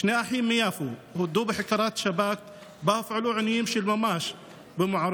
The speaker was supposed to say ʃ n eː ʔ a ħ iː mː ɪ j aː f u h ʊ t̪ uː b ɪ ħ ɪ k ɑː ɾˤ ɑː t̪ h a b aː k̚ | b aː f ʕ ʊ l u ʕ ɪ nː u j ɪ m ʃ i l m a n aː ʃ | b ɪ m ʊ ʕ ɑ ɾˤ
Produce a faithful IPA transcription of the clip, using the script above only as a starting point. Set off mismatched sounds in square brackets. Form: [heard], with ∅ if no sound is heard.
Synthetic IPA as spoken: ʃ n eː ʔ a ħ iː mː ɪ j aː f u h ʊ [d̪] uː b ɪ ħ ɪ k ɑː ɾˤ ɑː t̪ [ʃ] a b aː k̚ | b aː f ʕ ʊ l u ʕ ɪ nː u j ɪ m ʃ i l m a [m] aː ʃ | b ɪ m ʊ ʕ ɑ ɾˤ